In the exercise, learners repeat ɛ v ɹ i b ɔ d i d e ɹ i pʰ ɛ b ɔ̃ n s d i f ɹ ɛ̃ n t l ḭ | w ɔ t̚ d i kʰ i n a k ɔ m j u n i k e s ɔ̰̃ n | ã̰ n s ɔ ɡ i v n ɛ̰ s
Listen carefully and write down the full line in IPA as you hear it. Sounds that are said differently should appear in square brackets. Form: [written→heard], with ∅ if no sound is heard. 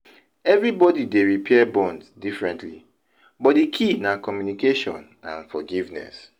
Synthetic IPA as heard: ɛ v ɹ i b ɔ d i d e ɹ i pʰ ɛ b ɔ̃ n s d i f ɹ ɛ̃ n t l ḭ | [w→b] ɔ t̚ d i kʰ i n a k ɔ m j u n i k e [s→ʃ] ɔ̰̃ n | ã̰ n [s→f] ɔ ɡ i v n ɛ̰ s

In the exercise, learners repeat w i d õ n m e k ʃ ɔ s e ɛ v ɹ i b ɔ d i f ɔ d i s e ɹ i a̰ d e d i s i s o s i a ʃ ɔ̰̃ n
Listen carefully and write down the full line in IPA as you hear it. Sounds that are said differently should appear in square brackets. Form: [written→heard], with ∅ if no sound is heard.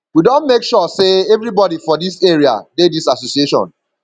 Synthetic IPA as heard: w i d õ n m e k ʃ ɔ s e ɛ v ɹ i b ɔ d i f ɔ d i s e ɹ i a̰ d e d i s [i→a] s o s i [a→e] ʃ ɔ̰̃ n

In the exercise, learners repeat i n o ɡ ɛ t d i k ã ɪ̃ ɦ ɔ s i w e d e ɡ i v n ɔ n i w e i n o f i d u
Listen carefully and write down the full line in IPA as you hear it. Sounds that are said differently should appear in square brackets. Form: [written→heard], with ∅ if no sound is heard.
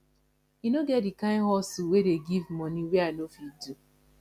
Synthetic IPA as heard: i n o ɡ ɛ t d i k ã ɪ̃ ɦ ɔ s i w e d e ɡ i v [n→m] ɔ n i w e [i→a] n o f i d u

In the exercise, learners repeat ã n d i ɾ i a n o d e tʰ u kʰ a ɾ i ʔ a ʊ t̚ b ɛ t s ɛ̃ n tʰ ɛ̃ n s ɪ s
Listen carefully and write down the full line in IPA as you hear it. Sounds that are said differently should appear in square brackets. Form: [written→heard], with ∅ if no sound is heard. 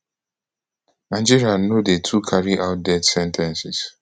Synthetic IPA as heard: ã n [d→d͡ʒ] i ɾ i a n o d e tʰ u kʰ a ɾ i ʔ a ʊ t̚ [b→d] ɛ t s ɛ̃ n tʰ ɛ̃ n s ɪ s

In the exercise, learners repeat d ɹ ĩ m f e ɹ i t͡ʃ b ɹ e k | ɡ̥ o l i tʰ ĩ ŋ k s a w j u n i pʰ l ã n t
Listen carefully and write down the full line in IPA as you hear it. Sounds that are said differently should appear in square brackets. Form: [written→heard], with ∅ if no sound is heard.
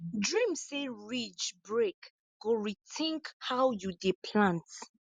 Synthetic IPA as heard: d ɹ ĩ m [f→s] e ɹ i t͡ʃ b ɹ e k | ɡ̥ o [l→ɹ] i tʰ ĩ ŋ k [s→h] a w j u [n→d] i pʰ l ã n t

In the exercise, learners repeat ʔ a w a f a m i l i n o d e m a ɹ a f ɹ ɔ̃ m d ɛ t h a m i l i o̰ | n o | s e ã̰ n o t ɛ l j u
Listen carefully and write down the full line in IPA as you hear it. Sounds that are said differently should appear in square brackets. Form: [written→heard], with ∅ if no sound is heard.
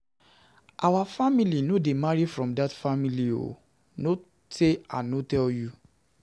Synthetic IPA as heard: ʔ a w a f a m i l i n o d e m a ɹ [a→i] f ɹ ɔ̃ m d [ɛ→a] t [h→f] a m i l i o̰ | n o | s e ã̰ n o t ɛ l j u

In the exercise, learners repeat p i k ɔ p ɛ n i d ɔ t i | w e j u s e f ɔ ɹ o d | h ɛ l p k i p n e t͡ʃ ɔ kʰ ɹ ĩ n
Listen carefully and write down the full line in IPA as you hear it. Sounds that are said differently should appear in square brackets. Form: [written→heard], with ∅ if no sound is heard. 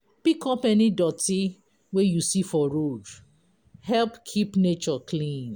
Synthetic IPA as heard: p i k ɔ p ɛ n i d ɔ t i | w e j u s [e→i] f ɔ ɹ o d | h ɛ l p [k→kʰ] i p n e t͡ʃ ɔ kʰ [ɹ→l] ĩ n

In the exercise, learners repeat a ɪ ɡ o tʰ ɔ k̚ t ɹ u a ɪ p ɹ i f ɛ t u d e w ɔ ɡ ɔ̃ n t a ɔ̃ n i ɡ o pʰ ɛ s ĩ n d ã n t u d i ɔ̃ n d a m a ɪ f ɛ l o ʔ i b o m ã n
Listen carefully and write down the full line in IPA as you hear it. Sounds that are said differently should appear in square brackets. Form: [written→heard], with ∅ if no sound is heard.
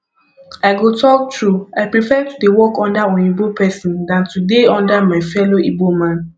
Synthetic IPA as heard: a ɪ ɡ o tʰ ɔ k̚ t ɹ u a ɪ p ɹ i f ɛ t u d e w ɔ [ɡ→k] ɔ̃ n [t→d] a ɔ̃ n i [ɡ→b] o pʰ ɛ s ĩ n d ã n t u d [i→e] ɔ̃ n d a m a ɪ f ɛ l o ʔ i b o m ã n

